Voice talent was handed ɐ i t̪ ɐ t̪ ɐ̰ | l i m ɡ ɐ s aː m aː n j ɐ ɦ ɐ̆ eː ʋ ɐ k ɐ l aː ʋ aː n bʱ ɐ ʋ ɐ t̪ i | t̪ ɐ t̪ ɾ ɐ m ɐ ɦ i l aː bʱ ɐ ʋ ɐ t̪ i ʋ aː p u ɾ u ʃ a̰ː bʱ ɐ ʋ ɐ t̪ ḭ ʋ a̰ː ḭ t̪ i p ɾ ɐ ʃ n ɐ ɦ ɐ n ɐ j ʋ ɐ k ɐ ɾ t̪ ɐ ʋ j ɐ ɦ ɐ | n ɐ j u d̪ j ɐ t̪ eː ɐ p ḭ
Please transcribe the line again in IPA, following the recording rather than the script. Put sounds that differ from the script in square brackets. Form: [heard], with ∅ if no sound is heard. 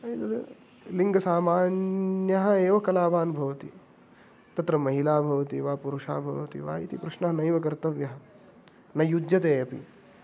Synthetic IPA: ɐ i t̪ ɐ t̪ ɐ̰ | l i [ŋ] ɡ ɐ s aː m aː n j ɐ ɦ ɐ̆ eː ʋ ɐ k ɐ l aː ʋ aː n bʱ ɐ ʋ ɐ t̪ i | t̪ ɐ t̪ ɾ ɐ m ɐ ɦ i l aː bʱ ɐ ʋ ɐ t̪ i ʋ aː p u ɾ u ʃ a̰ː bʱ ɐ ʋ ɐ t̪ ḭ ʋ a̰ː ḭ t̪ i p ɾ ɐ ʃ n ɐ ɦ ɐ n ɐ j ʋ ɐ k ɐ ɾ t̪ ɐ ʋ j ɐ ɦ ɐ | n ɐ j u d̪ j ɐ t̪ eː ɐ p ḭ